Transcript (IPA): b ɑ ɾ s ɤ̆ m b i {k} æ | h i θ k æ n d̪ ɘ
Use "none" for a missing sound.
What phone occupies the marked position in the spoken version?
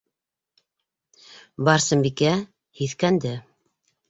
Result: k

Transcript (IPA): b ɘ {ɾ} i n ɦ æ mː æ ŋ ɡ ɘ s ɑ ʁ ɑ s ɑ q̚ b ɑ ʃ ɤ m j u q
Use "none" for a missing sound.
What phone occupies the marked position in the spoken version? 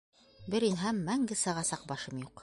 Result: ɾ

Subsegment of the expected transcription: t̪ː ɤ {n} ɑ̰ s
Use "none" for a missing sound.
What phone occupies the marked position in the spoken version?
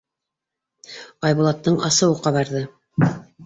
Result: ɴ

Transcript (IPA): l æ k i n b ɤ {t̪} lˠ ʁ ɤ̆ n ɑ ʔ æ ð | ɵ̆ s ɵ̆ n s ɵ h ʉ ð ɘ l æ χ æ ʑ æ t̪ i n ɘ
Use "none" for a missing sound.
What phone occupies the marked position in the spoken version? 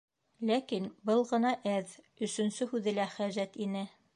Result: none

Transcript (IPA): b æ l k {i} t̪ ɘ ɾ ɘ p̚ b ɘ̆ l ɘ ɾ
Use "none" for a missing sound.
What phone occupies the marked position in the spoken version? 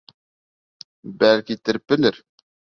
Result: i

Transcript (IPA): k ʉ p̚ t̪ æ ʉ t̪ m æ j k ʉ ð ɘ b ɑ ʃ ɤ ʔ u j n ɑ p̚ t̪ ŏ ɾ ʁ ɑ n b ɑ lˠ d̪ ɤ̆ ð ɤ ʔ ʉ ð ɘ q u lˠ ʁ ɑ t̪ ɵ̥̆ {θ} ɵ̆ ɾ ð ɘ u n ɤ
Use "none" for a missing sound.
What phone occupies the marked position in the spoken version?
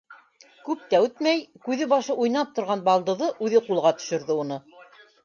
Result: ʃ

